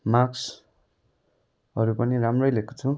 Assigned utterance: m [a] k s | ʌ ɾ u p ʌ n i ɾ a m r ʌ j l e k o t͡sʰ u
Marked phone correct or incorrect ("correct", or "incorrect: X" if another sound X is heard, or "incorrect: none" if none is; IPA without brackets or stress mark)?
correct